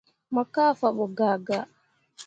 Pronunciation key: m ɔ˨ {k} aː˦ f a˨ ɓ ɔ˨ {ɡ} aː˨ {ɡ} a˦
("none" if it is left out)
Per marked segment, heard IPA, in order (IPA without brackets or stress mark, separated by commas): k, ɡ, ɡ